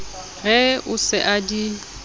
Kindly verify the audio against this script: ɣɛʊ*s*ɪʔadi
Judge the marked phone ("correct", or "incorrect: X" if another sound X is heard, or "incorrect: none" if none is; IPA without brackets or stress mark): correct